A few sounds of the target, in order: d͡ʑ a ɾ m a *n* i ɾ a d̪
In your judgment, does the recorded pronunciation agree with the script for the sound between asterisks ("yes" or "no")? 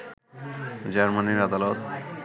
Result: yes